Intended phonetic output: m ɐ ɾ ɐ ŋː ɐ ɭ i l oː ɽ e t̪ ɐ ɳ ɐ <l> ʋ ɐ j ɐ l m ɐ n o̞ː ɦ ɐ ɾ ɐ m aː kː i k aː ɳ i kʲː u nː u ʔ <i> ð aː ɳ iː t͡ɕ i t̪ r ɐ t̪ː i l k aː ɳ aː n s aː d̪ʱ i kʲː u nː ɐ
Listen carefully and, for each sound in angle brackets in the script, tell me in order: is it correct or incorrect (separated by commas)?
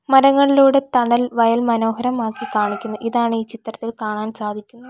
correct, correct